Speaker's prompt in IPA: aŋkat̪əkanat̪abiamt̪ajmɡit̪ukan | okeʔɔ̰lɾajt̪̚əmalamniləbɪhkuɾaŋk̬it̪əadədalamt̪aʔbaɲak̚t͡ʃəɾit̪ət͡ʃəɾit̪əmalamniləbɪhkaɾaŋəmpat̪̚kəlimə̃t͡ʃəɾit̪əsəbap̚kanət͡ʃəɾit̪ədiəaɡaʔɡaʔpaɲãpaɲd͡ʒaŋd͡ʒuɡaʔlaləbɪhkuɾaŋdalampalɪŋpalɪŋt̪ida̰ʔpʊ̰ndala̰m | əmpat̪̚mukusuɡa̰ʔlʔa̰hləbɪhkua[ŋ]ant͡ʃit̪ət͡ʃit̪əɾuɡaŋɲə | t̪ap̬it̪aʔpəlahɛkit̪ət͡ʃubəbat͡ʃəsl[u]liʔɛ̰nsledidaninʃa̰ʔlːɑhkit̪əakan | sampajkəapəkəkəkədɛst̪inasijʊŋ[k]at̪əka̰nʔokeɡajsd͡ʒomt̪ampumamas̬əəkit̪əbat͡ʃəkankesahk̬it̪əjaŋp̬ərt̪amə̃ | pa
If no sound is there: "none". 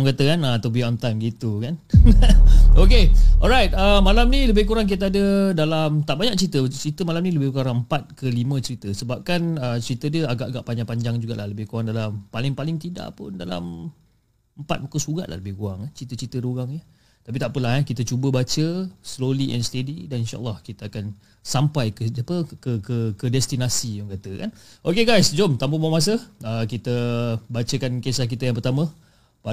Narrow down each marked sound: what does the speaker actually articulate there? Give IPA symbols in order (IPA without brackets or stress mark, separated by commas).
ŋ, o, k